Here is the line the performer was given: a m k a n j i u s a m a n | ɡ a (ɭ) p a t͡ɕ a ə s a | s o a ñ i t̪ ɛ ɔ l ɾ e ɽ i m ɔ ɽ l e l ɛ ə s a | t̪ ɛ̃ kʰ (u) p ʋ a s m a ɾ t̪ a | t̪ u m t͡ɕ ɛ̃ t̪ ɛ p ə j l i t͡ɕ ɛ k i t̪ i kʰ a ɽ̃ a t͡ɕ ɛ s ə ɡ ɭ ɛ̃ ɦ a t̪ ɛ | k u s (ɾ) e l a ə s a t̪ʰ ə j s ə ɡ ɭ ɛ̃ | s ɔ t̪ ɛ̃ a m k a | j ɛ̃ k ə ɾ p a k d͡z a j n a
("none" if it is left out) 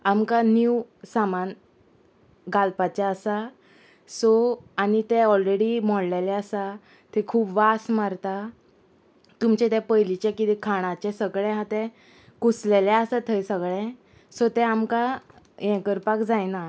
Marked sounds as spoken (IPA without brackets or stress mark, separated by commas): l, uː, l